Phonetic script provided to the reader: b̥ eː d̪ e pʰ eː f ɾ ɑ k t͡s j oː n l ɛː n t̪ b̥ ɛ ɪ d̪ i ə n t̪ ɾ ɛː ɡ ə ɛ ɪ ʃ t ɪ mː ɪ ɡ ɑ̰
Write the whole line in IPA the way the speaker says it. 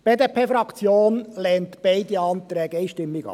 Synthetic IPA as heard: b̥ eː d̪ e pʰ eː f ɾ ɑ k t͡s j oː n l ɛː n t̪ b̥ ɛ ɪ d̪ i ɑ n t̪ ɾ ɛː ɡ ə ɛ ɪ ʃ t ɪ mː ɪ ɡ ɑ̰